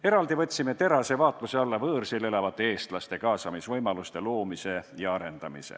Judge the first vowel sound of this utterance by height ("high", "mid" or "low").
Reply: mid